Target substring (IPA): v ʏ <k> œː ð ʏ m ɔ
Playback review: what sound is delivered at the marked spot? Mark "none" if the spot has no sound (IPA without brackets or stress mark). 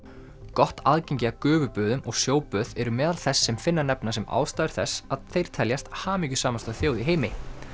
p